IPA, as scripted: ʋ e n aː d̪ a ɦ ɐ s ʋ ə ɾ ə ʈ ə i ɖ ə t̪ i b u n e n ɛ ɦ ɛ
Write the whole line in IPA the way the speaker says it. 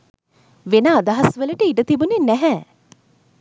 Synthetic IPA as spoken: ʋ e n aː d̪ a ɦ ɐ s ʋ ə l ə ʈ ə i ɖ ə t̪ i b u n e n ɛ ɦ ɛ